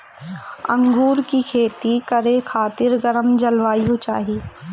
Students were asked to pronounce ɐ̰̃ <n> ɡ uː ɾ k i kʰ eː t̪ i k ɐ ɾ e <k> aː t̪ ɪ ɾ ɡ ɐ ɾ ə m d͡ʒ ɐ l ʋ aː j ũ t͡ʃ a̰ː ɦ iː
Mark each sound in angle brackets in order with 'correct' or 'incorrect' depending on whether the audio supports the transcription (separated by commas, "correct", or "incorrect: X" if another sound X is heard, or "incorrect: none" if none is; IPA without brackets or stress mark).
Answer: incorrect: ŋ, incorrect: kʰ